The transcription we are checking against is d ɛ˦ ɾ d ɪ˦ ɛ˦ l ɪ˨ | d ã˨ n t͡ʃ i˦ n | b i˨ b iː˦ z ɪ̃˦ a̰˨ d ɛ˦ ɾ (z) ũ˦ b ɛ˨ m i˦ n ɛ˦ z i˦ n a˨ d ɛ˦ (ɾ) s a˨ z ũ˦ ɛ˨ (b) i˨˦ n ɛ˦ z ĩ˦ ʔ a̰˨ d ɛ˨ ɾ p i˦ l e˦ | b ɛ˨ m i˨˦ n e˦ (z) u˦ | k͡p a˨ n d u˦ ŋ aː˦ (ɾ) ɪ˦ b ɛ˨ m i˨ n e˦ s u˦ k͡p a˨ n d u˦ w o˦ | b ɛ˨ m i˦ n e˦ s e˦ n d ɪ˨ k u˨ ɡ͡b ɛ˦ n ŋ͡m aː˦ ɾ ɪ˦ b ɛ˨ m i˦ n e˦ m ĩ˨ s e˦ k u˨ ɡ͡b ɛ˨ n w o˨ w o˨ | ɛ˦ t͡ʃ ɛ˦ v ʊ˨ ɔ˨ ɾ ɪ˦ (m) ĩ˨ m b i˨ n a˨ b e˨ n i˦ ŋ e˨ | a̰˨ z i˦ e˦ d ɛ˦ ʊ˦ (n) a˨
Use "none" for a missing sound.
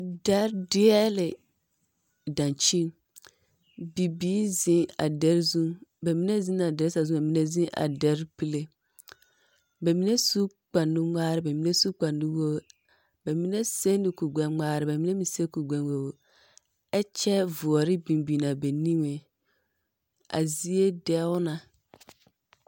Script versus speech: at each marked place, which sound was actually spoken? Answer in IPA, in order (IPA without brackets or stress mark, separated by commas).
z, ɾ, m, s, ɾ, b, n